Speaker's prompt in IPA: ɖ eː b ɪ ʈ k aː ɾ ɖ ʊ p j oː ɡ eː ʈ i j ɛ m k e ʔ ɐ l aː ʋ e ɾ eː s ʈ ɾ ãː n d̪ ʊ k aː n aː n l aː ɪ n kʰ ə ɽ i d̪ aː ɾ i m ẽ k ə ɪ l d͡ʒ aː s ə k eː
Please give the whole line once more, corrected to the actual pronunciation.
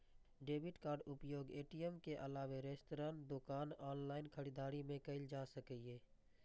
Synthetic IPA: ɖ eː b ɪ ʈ k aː ɾ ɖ ʊ p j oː ɡ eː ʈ i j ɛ m k e ʔ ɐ l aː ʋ e ɾ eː s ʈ ɾ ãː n d̪ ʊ k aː n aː n l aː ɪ n kʰ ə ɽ i d̪ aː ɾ i m ẽ k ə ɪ l d͡ʒ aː s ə k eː